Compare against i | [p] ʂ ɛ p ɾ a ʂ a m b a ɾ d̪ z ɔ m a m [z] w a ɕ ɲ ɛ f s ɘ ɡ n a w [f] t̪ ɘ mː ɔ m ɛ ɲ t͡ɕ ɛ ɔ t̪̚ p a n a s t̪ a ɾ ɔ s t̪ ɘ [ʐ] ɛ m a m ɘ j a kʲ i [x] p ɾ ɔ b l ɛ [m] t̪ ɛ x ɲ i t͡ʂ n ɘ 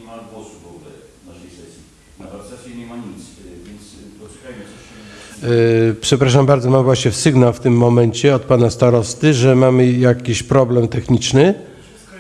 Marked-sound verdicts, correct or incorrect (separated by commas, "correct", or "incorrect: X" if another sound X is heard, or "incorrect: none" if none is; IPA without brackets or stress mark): correct, incorrect: v, correct, correct, incorrect: ɕ, correct